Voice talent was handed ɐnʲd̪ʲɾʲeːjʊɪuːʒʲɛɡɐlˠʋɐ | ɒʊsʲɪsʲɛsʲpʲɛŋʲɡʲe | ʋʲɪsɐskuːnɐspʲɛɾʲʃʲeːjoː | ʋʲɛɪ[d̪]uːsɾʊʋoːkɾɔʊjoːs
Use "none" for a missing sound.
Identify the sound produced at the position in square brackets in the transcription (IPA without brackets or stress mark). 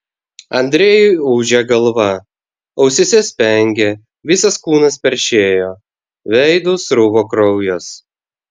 d̪